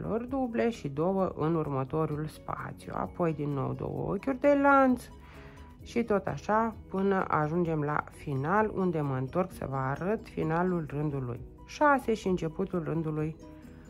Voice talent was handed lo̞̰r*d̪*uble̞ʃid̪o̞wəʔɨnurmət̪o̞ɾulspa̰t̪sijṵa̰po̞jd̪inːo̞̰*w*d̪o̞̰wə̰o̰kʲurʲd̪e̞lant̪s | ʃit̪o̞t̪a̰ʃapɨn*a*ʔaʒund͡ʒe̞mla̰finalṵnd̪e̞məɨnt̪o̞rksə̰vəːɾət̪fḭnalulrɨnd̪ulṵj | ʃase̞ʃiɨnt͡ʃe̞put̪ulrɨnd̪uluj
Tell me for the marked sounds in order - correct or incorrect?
correct, correct, incorrect: ə

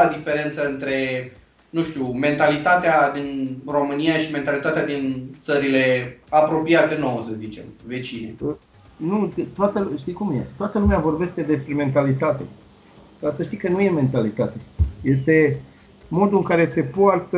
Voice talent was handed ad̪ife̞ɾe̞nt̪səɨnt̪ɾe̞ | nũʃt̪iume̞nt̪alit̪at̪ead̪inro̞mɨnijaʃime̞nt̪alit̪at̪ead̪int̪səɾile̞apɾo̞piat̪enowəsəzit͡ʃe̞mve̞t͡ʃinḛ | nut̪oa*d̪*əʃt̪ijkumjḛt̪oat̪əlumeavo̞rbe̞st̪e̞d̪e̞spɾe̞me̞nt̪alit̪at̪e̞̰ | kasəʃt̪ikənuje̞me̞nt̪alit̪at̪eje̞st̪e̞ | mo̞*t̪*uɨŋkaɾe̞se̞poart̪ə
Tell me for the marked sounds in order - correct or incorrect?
incorrect: t̪, incorrect: d̪

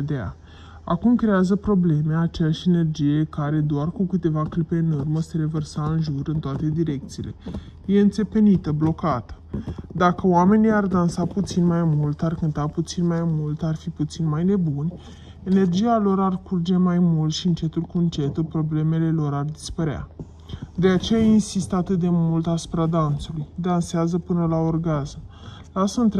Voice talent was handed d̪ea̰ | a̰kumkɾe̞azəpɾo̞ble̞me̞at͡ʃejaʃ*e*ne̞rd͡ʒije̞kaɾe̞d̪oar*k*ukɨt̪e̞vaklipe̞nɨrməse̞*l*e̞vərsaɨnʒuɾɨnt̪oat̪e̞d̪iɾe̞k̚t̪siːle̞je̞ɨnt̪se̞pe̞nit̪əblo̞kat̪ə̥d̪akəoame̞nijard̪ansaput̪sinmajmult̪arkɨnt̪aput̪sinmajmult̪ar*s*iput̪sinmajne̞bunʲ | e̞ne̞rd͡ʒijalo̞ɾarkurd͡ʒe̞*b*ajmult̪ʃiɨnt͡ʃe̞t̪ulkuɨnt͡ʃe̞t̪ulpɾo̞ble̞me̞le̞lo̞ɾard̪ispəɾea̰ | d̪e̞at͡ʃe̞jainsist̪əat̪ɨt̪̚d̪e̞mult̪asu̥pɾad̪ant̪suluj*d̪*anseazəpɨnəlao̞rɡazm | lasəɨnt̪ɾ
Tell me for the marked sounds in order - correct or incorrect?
correct, correct, incorrect: ɾ, incorrect: f, incorrect: m, correct

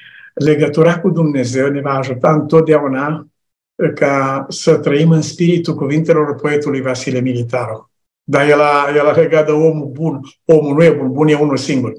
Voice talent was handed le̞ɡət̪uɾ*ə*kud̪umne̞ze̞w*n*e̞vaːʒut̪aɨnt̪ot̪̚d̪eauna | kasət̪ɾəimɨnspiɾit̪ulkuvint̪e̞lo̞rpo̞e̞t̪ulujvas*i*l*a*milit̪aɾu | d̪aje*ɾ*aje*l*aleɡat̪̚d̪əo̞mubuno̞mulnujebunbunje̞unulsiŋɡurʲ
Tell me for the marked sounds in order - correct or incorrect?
incorrect: a, correct, correct, incorrect: e, incorrect: l, correct

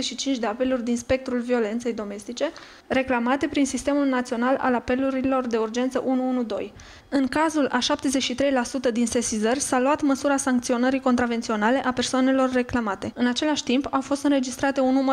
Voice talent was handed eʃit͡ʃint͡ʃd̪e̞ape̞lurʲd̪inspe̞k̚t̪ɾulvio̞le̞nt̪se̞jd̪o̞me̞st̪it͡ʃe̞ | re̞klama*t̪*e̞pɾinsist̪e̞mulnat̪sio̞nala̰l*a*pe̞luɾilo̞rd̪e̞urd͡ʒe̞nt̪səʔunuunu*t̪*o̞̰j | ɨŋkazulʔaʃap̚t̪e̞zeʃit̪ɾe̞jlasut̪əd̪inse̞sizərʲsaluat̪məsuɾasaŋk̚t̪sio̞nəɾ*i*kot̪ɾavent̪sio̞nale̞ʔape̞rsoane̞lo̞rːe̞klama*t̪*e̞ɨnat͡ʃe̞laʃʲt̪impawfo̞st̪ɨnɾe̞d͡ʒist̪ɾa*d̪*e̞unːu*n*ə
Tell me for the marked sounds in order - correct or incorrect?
correct, correct, incorrect: d̪, correct, correct, incorrect: t̪, incorrect: m

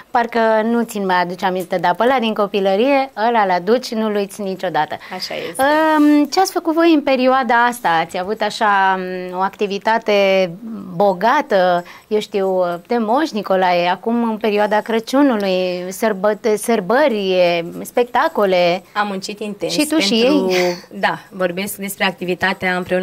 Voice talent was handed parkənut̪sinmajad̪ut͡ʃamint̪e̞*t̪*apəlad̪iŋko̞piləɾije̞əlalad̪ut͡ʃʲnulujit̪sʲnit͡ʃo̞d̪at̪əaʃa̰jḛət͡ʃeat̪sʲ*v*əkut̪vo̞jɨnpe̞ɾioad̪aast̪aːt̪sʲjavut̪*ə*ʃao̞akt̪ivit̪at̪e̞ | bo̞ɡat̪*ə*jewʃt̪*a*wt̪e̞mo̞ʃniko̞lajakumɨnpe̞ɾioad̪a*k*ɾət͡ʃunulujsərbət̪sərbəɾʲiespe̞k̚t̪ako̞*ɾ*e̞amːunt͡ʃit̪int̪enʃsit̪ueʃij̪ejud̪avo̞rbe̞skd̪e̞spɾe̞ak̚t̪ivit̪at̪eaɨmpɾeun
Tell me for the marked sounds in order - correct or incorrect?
incorrect: d̪, incorrect: f, incorrect: a, correct, incorrect: i, correct, incorrect: l

